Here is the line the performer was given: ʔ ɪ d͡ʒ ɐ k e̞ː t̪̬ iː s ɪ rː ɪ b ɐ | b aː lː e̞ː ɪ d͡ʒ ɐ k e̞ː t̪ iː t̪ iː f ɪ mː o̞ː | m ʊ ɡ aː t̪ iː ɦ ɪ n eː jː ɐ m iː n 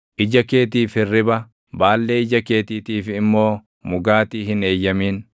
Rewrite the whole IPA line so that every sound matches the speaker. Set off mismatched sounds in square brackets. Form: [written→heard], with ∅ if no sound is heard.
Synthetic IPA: ʔ ɪ d͡ʒ ɐ k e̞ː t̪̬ iː [s→f] ɪ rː ɪ b ɐ | b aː lː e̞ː ɪ d͡ʒ ɐ k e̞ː t̪ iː t̪ iː f ɪ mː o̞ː | m ʊ ɡ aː t̪ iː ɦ ɪ n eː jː ɐ m iː n